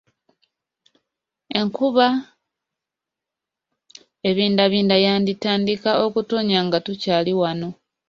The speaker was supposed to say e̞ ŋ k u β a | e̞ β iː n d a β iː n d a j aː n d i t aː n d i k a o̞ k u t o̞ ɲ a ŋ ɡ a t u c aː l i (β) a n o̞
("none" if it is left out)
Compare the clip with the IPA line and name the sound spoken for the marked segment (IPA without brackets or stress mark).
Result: w